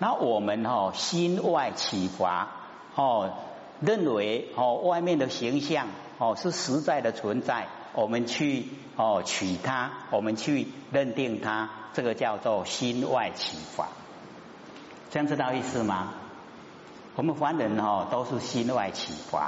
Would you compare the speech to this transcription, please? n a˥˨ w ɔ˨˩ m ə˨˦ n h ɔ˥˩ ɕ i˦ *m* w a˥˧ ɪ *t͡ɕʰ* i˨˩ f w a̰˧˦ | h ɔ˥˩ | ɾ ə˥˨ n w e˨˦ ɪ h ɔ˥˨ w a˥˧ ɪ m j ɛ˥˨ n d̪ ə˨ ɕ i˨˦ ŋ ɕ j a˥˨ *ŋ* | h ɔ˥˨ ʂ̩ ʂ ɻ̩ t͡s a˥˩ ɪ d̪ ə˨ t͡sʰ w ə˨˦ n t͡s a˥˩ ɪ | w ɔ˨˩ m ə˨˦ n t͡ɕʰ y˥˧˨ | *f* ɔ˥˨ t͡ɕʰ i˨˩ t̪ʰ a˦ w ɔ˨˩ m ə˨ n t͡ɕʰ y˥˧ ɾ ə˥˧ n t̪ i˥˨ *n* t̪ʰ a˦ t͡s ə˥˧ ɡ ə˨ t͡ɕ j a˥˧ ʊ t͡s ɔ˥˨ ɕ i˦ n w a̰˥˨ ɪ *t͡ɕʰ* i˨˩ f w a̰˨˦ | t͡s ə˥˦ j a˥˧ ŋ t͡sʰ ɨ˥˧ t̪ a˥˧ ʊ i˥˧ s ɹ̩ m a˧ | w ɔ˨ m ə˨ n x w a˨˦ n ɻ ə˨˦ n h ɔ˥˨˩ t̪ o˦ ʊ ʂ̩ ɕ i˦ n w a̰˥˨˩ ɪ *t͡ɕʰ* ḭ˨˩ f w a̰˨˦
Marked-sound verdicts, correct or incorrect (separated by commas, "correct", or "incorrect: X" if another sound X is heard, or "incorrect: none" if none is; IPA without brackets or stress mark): incorrect: n, correct, correct, incorrect: h, incorrect: ŋ, correct, correct